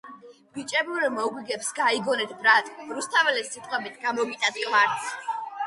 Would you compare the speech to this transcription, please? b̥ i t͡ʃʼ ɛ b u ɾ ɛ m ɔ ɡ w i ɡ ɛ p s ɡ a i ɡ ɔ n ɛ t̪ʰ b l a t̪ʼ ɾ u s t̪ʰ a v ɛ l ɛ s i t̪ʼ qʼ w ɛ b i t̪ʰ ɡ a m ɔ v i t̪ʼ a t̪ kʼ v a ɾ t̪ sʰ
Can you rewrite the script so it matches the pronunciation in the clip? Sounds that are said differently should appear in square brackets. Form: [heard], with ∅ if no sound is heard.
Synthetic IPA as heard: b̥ i t͡ʃʼ ɛ b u ɾ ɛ m ɔ ɡ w i ɡ ɛ p s ɡ a i ɡ ɔ n ɛ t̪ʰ b [ɾ] a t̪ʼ ɾ u s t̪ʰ a v ɛ l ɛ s i t̪ʼ qʼ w ɛ b i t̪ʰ ɡ a m ɔ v i t̪ʼ a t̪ kʼ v a ɾ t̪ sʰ